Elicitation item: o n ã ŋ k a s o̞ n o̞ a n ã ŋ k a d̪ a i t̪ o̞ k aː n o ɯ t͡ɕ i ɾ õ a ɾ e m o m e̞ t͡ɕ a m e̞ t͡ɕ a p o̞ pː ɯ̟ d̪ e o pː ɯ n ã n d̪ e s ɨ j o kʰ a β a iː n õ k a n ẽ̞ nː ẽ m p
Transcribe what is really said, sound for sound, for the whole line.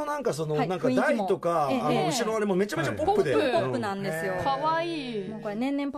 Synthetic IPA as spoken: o n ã ŋ k a s o̞ n o̞ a n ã ŋ k a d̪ a i t̪ o̞ k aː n o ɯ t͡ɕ i ɾ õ a ɾ e m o m e̞ t͡ɕ a m e̞ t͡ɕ a p o̞ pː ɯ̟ d̪ e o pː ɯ n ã n d̪ e s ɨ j o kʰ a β a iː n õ k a n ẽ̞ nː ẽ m p